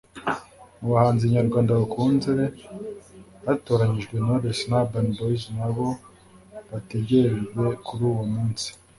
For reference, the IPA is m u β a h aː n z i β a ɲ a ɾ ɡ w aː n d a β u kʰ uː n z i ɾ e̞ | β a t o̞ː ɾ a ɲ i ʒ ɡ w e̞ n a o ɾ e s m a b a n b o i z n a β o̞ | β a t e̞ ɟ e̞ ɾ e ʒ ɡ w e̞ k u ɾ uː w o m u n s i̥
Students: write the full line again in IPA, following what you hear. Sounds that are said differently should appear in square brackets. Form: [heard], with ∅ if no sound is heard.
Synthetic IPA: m u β a h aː n z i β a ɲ a ɾ ɡ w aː n d a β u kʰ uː n z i ɾ e̞ | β a t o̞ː ɾ a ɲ i ʒ ɡ w e̞ n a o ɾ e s [n] a b a n b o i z n a β o̞ | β a t e̞ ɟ e̞ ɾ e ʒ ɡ w e̞ k u ɾ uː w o m [uː] n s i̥